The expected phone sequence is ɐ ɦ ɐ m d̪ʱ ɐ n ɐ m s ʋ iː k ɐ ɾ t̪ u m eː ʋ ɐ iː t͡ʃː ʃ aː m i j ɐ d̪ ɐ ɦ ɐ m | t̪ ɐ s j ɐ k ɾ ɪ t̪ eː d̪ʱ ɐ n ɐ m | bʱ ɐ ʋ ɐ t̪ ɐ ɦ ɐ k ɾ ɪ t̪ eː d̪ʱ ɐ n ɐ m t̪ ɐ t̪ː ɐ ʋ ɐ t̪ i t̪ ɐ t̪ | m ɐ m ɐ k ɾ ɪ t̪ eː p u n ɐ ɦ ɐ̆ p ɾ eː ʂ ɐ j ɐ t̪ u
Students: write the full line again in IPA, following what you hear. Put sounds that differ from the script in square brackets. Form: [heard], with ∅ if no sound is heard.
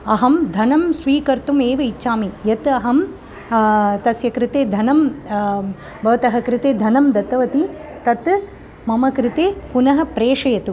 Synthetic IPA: ɐ ɦ ɐ m d̪ʱ ɐ n ɐ m s ʋ iː k ɐ ɾ t̪ u m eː ʋ ɐ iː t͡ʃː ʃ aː m i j ɐ [t̪] ɐ ɦ ɐ m | t̪ ɐ s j ɐ k ɾ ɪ t̪ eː d̪ʱ ɐ n ɐ m | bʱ ɐ ʋ ɐ t̪ ɐ ɦ ɐ k ɾ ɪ t̪ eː d̪ʱ ɐ n ɐ m [d̪] ɐ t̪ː ɐ ʋ ɐ t̪ i t̪ ɐ t̪ | m ɐ m ɐ k ɾ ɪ t̪ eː p u n ɐ ɦ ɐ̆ p ɾ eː ʂ ɐ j ɐ t̪ u